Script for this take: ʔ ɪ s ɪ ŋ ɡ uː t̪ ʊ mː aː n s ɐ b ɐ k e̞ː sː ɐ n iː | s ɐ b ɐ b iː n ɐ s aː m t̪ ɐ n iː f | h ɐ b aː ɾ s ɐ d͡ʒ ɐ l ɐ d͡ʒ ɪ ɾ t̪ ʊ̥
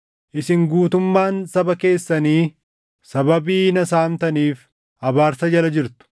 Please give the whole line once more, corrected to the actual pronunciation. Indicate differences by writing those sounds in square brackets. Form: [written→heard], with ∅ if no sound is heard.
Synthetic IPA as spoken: ʔ ɪ s ɪ ŋ ɡ uː t̪ ʊ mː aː n s ɐ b ɐ k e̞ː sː ɐ n iː | s ɐ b ɐ b iː n ɐ s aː m t̪ ɐ n iː f | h ɐ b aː ɾ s ɐ d͡ʒ ɐ l ɐ d͡ʒ ɪ ɾ t̪ ʊ̥